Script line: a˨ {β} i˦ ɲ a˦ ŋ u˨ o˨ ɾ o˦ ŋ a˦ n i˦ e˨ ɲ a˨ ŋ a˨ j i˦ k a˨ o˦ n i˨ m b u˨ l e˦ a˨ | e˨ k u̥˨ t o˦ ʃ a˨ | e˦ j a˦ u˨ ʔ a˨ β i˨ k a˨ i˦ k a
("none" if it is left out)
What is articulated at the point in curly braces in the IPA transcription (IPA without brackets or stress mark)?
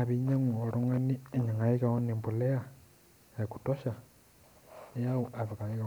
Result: β